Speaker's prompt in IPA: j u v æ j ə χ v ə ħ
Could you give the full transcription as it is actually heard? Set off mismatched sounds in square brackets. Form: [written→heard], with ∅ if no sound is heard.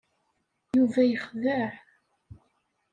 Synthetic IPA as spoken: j u v æ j ə χ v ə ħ